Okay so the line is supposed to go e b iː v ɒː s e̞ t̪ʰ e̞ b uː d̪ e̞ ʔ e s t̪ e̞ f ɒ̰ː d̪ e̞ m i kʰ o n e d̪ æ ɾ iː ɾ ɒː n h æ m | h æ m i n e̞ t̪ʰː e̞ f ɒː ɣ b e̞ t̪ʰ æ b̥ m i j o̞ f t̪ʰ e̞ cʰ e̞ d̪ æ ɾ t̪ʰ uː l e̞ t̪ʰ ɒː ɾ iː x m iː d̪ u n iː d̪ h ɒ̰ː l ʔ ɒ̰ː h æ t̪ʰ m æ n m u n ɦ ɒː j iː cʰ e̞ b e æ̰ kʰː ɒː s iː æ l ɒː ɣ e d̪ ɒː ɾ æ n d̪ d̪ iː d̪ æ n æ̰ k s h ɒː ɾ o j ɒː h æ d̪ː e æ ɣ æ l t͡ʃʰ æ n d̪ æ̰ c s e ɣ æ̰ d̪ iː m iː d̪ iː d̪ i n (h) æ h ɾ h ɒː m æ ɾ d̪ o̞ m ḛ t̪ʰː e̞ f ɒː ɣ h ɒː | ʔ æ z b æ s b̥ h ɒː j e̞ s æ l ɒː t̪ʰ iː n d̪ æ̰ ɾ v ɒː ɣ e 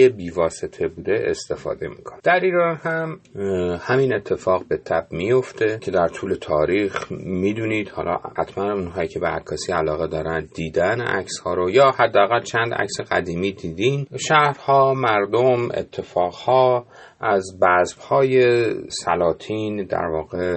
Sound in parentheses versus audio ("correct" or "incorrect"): incorrect